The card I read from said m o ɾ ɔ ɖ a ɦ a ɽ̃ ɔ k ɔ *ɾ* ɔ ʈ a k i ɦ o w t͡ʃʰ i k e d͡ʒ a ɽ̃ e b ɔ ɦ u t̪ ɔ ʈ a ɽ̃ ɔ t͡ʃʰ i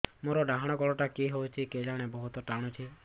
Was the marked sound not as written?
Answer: yes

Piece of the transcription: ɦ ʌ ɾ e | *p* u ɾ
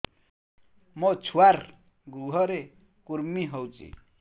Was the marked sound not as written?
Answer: yes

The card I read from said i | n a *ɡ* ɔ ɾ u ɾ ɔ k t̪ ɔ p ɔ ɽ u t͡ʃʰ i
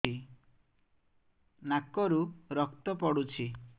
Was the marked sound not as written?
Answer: yes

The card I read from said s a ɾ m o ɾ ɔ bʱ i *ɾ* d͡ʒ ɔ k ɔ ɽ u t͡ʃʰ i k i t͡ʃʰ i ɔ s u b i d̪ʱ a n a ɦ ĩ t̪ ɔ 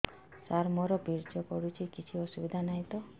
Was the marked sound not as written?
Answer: no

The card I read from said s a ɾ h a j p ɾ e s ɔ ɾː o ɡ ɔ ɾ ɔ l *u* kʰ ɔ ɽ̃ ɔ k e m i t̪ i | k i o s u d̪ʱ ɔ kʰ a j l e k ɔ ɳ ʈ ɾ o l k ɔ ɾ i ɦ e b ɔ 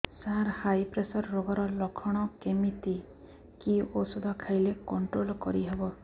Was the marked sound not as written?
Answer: yes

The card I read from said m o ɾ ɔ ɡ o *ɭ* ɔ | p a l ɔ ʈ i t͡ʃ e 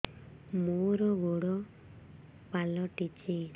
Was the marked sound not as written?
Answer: yes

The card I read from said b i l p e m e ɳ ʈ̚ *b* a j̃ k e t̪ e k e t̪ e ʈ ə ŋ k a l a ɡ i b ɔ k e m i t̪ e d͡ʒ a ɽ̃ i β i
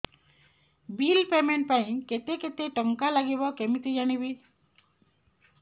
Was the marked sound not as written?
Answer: yes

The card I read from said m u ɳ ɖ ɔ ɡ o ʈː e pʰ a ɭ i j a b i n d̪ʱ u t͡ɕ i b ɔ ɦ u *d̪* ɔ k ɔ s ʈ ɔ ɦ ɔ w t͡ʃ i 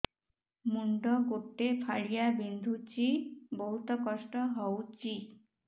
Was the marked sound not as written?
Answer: yes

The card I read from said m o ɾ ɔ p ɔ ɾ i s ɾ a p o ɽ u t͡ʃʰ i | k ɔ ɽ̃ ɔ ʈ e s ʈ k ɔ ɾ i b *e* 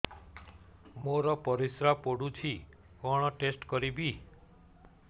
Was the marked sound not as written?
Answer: yes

